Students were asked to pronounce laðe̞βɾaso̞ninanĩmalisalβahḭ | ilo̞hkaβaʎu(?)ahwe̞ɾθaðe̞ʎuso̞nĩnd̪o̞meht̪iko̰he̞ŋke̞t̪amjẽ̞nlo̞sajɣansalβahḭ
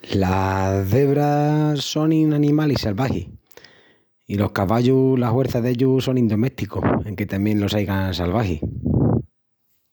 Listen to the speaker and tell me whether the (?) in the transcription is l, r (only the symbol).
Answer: l